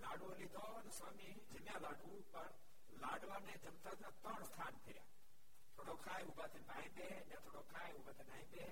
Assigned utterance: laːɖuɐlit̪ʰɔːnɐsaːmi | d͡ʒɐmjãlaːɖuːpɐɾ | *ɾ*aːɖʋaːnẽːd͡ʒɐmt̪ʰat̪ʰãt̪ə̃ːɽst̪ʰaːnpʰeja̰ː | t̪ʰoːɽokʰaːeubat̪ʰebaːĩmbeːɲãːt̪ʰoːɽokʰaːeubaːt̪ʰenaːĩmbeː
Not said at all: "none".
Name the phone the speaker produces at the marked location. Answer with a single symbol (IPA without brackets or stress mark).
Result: l